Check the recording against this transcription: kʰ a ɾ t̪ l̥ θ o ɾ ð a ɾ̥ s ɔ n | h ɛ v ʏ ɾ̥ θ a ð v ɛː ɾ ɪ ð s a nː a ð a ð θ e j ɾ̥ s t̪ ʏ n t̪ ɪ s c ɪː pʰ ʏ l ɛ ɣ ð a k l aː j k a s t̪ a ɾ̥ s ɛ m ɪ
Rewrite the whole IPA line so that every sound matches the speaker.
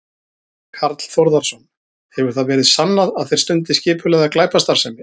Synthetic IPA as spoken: kʰ a ɾ t̪ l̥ θ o ɾ ð a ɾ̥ s ɔ n | h ɛ v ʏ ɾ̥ θ a ð v ɛː ɾ ɪ ð s a nː a ð a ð θ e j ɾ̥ s t̪ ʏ n t̪ ɪ s c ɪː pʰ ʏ l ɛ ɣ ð a k l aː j p a s t̪ a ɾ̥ s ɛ m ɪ